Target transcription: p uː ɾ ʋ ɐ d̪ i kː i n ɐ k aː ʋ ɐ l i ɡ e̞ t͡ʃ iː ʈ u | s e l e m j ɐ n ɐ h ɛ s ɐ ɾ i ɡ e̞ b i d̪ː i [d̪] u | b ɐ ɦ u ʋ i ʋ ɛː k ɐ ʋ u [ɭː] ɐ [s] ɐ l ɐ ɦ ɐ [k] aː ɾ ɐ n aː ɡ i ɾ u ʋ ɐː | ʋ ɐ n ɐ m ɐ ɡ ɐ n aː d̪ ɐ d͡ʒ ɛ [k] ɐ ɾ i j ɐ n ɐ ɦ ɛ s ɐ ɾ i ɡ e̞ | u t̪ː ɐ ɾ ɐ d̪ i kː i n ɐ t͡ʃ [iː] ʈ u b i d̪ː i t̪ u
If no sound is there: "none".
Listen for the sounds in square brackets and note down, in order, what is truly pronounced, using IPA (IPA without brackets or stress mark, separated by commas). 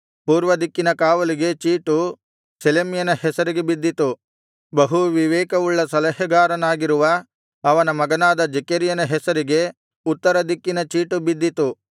t̪, ɭː, s, ɡ, k, iː